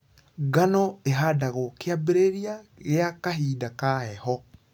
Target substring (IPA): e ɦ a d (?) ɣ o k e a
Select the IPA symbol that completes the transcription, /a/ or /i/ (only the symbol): a